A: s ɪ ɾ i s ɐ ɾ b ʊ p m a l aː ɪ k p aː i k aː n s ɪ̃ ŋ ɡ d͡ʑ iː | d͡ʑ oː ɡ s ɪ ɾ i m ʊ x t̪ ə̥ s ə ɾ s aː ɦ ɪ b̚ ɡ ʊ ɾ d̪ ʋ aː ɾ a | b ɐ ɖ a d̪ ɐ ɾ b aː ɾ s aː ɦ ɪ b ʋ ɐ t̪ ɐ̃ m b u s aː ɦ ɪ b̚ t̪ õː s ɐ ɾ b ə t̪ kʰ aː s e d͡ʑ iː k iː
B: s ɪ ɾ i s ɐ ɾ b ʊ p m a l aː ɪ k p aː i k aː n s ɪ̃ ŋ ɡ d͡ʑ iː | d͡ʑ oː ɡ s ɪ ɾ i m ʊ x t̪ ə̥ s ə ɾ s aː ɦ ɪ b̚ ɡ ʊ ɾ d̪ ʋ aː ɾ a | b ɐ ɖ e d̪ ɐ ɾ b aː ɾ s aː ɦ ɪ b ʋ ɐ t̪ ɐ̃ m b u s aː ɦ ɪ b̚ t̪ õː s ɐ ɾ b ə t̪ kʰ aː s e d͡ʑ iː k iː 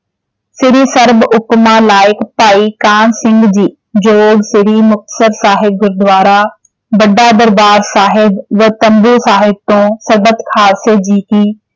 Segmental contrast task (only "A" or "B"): A